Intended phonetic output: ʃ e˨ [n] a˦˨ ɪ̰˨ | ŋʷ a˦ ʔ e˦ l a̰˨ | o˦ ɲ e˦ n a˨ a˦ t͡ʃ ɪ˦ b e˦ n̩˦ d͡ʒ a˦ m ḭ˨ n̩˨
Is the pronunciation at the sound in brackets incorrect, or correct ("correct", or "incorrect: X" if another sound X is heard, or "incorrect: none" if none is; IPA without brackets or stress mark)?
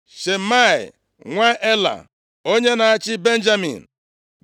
incorrect: m